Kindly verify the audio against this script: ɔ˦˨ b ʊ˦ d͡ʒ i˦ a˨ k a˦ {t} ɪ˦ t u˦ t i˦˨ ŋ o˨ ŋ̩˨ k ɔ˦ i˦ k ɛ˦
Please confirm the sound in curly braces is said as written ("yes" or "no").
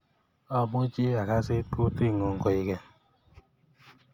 no